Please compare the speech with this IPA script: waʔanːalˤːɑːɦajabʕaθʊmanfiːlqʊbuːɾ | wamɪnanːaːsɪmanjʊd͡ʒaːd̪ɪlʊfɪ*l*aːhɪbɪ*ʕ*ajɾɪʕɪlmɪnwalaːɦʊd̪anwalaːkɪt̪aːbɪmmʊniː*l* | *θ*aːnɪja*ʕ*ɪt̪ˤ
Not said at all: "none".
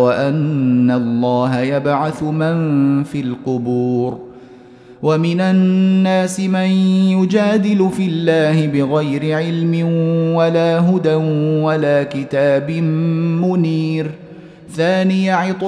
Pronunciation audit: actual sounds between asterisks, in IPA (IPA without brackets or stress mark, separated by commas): lː, ɣ, ɾ, θ, ʕ